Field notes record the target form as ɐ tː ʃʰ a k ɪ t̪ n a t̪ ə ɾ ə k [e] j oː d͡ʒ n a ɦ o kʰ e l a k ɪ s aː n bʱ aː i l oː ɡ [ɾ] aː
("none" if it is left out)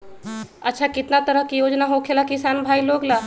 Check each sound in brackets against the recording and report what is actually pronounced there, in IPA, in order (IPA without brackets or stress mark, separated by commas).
i, l